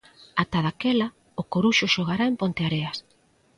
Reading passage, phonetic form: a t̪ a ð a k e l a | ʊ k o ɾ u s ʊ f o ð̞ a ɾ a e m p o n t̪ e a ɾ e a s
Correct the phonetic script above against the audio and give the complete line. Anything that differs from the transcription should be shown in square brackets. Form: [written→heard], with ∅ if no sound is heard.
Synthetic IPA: a t̪ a ð a k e l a | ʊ k o ɾ u [s→ʃ] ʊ [f→ʃ] o [ð̞→ɣ̞] a ɾ a e m p o n t̪ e a ɾ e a s